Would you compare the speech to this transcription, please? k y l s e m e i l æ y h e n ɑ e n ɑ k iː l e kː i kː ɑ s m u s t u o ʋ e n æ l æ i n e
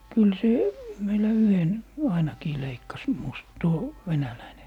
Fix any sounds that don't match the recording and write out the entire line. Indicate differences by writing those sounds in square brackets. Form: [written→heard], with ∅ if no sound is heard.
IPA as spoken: k y l s e m e i l æ y h e n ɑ [e→i] n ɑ k iː l e [kː→∅] i kː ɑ s m u s t u o ʋ e n æ l æ i n e